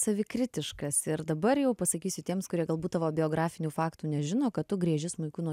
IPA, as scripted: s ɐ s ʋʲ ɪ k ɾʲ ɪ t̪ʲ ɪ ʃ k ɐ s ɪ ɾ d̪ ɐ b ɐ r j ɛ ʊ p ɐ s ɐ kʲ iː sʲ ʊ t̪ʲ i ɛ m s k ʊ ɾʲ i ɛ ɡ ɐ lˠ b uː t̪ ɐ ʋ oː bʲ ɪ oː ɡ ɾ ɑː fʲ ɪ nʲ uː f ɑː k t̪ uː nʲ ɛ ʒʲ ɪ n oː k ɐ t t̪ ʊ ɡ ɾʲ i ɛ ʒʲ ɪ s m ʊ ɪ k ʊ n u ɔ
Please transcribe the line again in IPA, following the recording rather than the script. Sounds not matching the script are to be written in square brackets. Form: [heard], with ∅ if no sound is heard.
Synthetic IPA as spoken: s ɐ [∅] ʋʲ ɪ k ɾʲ ɪ t̪ʲ ɪ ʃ k ɐ s ɪ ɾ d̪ ɐ b ɐ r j ɛ ʊ p ɐ s ɐ kʲ iː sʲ ʊ t̪ʲ i ɛ m s k ʊ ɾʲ i ɛ ɡ ɐ lˠ b uː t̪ ɐ ʋ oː bʲ ɪ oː ɡ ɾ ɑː fʲ ɪ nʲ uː f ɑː k t̪ uː nʲ ɛ ʒʲ ɪ n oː k ɐ t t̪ ʊ ɡ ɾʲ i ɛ ʒʲ ɪ s m ʊ ɪ k ʊ n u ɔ

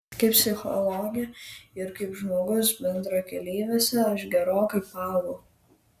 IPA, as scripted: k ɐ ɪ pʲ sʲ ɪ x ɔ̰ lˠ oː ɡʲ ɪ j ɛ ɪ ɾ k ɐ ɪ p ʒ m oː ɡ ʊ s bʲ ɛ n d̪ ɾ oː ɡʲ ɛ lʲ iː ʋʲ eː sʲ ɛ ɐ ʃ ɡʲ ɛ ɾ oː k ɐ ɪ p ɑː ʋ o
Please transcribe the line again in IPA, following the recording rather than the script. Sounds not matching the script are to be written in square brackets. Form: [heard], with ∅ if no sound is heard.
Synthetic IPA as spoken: k ɐ ɪ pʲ sʲ ɪ x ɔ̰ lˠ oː ɡʲ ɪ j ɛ ɪ ɾ k ɐ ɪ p ʒ m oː ɡ ʊ s bʲ ɛ n d̪ ɾ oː [kʲ] ɛ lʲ iː ʋʲ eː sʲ ɛ ɐ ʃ ɡʲ ɛ ɾ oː k ɐ ɪ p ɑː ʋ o

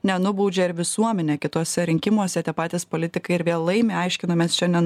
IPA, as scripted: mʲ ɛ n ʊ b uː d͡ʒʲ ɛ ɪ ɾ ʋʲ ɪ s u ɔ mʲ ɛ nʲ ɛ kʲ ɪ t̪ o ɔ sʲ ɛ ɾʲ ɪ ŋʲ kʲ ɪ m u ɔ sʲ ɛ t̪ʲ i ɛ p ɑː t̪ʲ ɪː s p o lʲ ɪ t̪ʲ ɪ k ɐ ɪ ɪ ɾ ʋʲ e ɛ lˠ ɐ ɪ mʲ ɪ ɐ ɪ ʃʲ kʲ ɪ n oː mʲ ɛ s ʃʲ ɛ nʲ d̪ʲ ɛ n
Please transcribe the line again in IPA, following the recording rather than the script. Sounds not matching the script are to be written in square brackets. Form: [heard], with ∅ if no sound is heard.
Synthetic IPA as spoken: [nʲ] ɛ n ʊ b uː d͡ʒʲ ɛ ɪ ɾ ʋʲ ɪ s u ɔ mʲ ɛ nʲ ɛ kʲ ɪ t̪ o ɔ sʲ ɛ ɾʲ ɪ ŋʲ kʲ ɪ m u ɔ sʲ ɛ t̪ʲ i ɛ p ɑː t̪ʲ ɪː s p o lʲ ɪ t̪ʲ ɪ k ɐ ɪ ɪ ɾ ʋʲ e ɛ lˠ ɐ ɪ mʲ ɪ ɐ ɪ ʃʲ kʲ ɪ n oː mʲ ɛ s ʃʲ ɛ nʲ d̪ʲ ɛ n

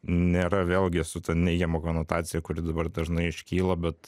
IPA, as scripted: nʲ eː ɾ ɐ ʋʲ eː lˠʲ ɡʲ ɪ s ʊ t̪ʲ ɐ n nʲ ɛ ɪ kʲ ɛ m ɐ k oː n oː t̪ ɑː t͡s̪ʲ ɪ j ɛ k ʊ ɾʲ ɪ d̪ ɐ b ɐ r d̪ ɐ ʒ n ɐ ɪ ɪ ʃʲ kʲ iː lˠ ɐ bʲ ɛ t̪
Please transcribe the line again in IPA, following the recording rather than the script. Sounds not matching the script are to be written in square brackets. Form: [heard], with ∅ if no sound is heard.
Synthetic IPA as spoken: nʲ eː ɾ ɐ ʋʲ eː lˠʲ ɡʲ ɪ s ʊ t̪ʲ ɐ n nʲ ɛ ɪ [ɡʲ] ɛ m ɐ k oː n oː t̪ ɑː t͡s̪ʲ ɪ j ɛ k ʊ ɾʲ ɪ d̪ ɐ b ɐ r d̪ ɐ ʒ n ɐ ɪ ɪ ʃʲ kʲ iː lˠ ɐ bʲ ɛ t̪

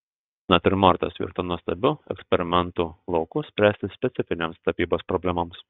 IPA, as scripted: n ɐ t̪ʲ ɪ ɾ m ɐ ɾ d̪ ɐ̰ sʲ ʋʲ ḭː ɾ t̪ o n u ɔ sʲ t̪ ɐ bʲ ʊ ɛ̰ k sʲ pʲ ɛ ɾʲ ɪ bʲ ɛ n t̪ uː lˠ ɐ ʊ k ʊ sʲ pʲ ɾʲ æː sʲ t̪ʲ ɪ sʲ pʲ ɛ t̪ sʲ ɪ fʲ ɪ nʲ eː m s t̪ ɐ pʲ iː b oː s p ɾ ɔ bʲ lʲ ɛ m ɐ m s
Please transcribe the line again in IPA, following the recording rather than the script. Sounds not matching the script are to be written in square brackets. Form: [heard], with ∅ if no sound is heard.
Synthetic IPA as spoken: n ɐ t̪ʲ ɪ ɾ m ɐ ɾ [t̪] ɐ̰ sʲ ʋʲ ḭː ɾ t̪ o n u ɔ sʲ t̪ ɐ bʲ ʊ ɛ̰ k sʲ pʲ ɛ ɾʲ ɪ [mʲ] ɛ n t̪ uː lˠ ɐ ʊ k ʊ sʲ pʲ ɾʲ æː sʲ t̪ʲ ɪ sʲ pʲ ɛ t̪ sʲ ɪ fʲ ɪ nʲ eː m s t̪ ɐ pʲ iː b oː s p ɾ ɔ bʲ lʲ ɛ m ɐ m s

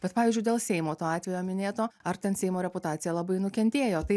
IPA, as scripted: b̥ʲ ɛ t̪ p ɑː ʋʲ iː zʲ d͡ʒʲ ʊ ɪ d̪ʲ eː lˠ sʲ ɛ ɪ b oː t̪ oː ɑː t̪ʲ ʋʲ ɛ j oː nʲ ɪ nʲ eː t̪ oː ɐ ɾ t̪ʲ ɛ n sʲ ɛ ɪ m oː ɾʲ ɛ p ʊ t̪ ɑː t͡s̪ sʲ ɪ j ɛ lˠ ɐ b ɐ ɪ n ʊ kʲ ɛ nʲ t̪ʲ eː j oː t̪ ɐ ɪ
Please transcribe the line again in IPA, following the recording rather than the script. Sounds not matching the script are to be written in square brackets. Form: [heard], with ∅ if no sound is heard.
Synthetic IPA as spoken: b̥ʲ ɛ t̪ p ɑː ʋʲ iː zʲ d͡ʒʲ ʊ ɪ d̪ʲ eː lˠ sʲ ɛ ɪ [m] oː t̪ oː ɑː t̪ʲ ʋʲ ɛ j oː [mʲ] ɪ nʲ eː t̪ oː ɐ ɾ t̪ʲ ɛ n sʲ ɛ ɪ m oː ɾʲ ɛ p ʊ t̪ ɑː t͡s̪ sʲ ɪ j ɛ lˠ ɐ b ɐ ɪ n ʊ kʲ ɛ nʲ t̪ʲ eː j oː t̪ ɐ ɪ

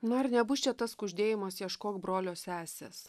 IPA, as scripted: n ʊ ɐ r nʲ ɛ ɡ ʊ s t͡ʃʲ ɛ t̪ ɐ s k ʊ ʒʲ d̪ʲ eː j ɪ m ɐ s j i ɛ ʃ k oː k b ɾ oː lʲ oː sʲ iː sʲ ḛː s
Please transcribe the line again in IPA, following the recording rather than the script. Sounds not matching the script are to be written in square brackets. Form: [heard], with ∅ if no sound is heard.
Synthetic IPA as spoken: n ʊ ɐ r nʲ ɛ [b] ʊ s t͡ʃʲ ɛ t̪ ɐ s k ʊ ʒʲ d̪ʲ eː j ɪ m ɐ s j i ɛ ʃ k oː k b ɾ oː lʲ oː sʲ [æː] sʲ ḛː s

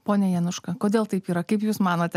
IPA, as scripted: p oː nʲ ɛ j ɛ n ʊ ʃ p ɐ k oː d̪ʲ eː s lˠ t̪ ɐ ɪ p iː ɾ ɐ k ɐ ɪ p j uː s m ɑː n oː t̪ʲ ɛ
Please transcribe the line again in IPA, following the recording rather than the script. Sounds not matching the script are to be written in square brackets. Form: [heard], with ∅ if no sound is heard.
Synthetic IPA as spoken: p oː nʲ ɛ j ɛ n ʊ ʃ [k] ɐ k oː d̪ʲ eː [∅] lˠ t̪ ɐ ɪ p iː ɾ ɐ k ɐ ɪ p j uː s m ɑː n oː t̪ʲ ɛ

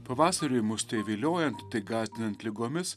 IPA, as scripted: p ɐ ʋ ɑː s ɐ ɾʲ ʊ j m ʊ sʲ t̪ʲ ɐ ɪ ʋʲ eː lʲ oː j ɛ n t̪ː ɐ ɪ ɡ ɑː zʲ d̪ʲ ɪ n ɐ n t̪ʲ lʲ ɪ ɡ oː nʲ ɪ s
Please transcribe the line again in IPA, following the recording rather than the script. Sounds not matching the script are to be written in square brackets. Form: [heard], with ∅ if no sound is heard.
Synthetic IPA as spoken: p ɐ ʋ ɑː s ɐ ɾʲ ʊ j m ʊ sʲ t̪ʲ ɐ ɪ ʋʲ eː lʲ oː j ɛ n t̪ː ɐ ɪ ɡ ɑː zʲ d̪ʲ ɪ n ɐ n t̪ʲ lʲ ɪ ɡ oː [mʲ] ɪ s

